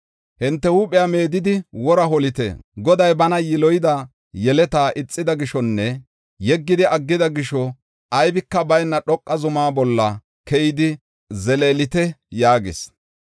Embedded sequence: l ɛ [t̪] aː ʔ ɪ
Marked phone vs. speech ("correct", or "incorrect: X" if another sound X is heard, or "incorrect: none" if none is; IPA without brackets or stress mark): correct